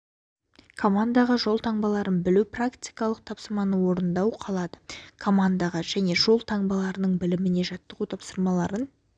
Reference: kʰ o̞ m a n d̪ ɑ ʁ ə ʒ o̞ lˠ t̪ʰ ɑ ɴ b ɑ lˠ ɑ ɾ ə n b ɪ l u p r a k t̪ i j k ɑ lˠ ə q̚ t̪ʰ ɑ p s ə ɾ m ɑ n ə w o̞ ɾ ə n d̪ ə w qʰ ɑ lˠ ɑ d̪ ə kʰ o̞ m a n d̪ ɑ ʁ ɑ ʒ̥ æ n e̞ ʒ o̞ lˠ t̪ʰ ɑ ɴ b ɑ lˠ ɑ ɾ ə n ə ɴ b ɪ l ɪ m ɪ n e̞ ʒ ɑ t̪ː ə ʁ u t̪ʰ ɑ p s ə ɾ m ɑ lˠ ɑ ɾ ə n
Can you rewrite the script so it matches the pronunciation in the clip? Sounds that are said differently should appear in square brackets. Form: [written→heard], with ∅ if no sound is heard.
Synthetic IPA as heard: kʰ o̞ m a n d̪ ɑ ʁ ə ʒ o̞ lˠ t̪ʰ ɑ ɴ b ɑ lˠ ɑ ɾ ə n b ɪ l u p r a k t̪ i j k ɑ lˠ ə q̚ t̪ʰ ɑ p s ə ɾ m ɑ n ə w o̞ ɾ ə n d̪ [ə→ɑ] w qʰ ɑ lˠ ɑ d̪ ə kʰ o̞ m a n d̪ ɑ ʁ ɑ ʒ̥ æ n e̞ ʒ o̞ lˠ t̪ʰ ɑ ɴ b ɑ lˠ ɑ ɾ ə n ə ɴ b ɪ l ɪ m ɪ n e̞ ʒ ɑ t̪ː ə ʁ u t̪ʰ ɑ p s ə ɾ m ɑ lˠ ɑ ɾ ə n